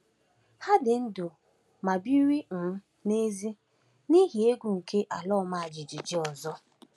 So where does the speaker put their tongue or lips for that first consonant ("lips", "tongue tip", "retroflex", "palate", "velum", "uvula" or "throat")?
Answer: throat